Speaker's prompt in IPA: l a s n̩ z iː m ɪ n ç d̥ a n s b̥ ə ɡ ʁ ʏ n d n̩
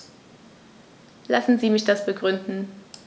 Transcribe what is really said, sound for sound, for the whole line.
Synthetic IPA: l a s n̩ z iː m ɪ ç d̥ a s b̥ ə ɡ ʁ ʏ n d n̩